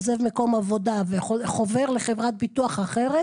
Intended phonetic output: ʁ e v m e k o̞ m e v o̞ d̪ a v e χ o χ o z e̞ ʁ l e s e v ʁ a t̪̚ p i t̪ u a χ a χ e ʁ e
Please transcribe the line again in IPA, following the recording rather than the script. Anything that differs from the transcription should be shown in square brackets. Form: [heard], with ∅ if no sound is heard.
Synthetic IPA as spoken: [z] e v m e k o̞ m [a] v o̞ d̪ a v e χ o χ o [v] e̞ ʁ l e [χ] e v ʁ a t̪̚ [b] i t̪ u a χ a χ e ʁ e